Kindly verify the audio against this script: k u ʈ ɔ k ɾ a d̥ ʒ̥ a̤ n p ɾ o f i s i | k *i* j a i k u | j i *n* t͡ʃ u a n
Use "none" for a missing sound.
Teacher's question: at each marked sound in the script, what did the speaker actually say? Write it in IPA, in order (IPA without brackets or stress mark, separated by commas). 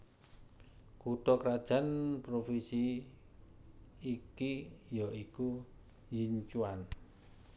i, ɲ